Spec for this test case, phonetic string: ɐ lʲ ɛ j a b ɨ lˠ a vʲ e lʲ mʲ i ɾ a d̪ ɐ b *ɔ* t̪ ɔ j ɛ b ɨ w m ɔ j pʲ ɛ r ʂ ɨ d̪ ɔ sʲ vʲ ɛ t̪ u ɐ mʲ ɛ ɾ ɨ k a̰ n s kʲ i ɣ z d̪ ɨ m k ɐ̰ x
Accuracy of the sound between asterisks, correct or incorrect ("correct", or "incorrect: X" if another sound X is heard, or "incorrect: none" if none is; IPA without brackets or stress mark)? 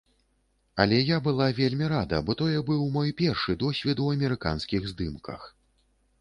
correct